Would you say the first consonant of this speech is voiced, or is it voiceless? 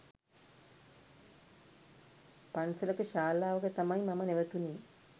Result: voiceless